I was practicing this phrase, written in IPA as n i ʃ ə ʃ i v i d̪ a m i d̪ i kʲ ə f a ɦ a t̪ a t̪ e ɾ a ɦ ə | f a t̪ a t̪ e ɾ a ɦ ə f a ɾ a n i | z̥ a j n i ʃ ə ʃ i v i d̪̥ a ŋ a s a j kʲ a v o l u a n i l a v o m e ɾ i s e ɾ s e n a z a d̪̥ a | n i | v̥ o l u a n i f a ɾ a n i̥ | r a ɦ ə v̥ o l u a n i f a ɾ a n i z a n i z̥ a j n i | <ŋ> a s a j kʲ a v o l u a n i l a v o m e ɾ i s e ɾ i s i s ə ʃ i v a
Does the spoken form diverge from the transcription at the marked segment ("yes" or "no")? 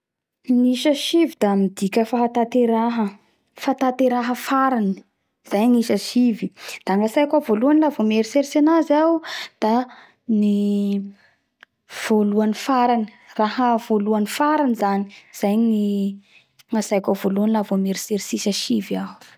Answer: no